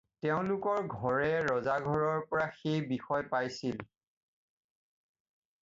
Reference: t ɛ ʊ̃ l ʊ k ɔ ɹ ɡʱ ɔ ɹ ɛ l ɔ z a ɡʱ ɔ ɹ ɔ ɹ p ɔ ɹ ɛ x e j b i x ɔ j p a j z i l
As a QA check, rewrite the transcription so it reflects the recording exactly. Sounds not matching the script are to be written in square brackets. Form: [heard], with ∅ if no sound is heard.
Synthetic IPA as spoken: t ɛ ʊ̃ l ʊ k ɔ ɹ ɡʱ ɔ ɹ ɛ [ɹ] ɔ z a ɡʱ ɔ ɹ ɔ ɹ p ɔ ɹ [a] x e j b i x ɔ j p a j [s] i l